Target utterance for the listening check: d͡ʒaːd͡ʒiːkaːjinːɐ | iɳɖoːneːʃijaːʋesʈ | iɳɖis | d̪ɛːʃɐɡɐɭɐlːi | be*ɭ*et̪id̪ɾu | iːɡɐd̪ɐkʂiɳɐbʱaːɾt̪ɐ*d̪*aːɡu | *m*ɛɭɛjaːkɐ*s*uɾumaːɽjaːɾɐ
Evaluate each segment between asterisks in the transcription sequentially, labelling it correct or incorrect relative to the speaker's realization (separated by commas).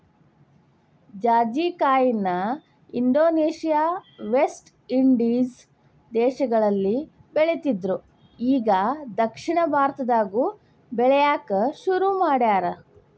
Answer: correct, correct, incorrect, incorrect